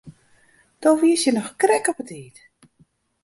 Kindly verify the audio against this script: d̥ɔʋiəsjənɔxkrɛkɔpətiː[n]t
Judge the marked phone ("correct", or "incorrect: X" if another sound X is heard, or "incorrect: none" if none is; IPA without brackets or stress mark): incorrect: none